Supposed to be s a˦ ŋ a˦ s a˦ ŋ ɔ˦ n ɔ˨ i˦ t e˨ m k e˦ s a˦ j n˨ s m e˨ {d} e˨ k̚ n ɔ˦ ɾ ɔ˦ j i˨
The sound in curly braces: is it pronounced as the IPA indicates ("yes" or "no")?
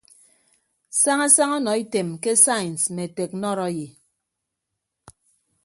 no